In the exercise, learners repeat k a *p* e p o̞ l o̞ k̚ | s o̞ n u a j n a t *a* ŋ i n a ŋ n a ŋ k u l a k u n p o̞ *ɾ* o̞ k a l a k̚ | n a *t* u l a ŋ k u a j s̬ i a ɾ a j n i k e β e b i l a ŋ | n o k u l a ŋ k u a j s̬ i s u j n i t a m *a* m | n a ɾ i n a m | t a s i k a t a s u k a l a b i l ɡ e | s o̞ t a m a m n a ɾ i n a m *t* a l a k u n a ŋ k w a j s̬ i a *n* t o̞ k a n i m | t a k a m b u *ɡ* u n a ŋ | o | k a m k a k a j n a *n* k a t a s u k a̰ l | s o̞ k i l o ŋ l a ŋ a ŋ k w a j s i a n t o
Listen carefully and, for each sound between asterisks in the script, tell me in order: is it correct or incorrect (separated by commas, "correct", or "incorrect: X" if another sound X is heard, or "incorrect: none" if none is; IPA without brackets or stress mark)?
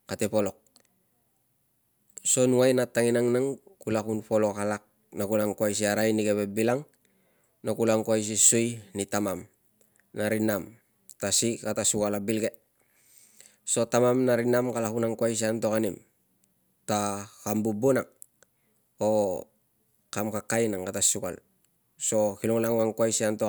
incorrect: t, correct, incorrect: l, incorrect: k, correct, incorrect: k, correct, incorrect: b, incorrect: ŋ